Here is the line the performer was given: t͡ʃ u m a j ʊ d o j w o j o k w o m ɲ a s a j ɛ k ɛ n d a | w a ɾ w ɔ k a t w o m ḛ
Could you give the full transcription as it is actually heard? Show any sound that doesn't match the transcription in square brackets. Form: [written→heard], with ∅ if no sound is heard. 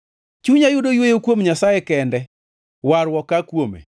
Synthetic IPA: t͡ʃ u [m→ɲ] a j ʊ d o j w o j o k w o m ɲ a s a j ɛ k ɛ n d [a→ɛ] | w a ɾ w ɔ k a [t→k] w o m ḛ